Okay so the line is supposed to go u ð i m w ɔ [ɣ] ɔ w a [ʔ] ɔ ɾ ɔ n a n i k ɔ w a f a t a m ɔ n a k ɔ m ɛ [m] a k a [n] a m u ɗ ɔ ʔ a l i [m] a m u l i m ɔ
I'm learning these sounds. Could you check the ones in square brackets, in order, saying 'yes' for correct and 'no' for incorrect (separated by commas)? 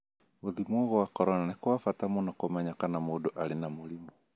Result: yes, no, no, yes, no